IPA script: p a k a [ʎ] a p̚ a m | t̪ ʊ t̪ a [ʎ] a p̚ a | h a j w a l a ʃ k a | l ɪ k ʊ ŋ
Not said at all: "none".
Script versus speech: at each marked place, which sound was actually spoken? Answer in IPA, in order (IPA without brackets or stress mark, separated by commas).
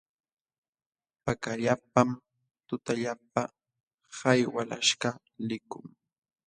ʎ, ʎ